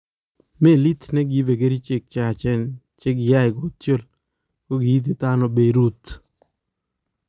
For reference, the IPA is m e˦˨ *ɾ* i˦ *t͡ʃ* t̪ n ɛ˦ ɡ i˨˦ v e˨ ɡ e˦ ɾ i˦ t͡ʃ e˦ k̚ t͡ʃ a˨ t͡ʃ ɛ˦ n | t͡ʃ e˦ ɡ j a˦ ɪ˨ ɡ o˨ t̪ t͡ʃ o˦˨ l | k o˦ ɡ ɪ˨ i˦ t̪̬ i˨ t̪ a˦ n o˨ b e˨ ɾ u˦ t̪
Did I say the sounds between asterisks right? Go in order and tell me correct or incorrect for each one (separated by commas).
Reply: incorrect, incorrect